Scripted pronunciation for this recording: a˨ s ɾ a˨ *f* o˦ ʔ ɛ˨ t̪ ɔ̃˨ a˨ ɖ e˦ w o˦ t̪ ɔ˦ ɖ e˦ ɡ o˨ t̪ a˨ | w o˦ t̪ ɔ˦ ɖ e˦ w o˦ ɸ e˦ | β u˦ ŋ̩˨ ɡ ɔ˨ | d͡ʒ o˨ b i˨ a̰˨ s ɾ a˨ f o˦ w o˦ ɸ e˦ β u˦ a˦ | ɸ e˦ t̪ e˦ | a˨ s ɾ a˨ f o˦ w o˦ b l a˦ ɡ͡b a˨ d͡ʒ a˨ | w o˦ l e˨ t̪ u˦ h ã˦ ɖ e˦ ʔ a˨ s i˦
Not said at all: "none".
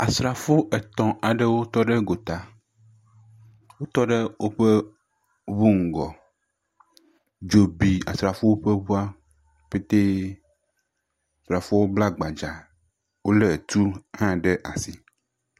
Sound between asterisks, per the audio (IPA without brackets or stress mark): f